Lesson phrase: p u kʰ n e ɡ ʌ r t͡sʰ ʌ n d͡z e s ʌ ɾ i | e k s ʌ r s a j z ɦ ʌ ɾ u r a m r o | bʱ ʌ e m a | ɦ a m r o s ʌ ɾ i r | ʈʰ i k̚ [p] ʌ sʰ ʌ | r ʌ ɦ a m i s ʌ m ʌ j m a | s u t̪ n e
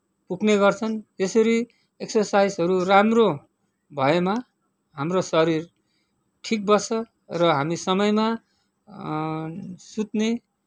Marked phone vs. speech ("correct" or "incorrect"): incorrect